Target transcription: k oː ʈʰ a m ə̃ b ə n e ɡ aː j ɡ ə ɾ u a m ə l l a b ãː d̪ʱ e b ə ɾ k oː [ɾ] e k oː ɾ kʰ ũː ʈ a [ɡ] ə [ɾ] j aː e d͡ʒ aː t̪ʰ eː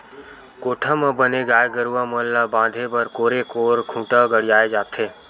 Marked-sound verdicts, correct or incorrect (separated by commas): correct, correct, incorrect